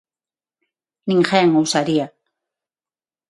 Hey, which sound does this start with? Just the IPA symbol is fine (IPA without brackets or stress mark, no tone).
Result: n